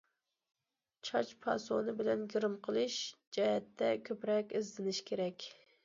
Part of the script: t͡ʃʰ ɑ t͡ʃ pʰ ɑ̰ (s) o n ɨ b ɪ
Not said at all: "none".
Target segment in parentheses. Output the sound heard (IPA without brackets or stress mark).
s